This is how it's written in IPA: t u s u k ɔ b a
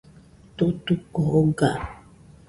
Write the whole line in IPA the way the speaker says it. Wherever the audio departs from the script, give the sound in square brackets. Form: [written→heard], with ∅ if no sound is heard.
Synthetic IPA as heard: t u [s→t] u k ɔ [b→ɡ] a